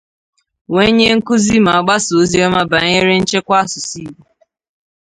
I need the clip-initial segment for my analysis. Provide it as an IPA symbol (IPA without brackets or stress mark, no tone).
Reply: w